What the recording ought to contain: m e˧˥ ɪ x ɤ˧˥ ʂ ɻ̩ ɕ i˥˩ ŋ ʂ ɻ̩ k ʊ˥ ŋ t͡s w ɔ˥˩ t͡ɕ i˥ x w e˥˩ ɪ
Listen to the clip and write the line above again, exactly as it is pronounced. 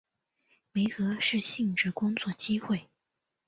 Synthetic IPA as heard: m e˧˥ ɪ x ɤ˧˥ ʂ ɻ̩ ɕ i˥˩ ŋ ʈ͡ʂ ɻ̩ k ʊ˥ ŋ t͡s w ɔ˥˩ t͡ɕ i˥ x w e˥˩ ɪ